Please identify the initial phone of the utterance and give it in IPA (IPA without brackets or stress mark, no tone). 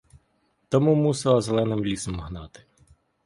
t̪